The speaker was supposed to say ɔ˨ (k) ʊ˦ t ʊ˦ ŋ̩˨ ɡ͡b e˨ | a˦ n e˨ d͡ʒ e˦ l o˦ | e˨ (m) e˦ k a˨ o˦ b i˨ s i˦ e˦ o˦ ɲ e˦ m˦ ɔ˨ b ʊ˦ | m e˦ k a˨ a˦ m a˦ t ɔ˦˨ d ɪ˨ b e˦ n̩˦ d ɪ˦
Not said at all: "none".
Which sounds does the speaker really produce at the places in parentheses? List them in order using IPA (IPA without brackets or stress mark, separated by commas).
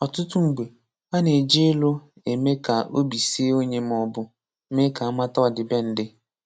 t, m